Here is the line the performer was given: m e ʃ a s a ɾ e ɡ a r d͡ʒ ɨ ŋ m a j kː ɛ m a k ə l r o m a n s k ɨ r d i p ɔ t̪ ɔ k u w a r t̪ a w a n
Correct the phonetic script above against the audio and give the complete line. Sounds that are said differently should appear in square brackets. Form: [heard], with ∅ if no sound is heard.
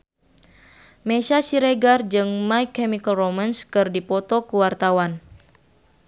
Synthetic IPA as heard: m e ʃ a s [i] ɾ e ɡ a r d͡ʒ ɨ ŋ m a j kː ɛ m [i] k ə l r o m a n s k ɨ r d i p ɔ t̪ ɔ k u w a r t̪ a w a n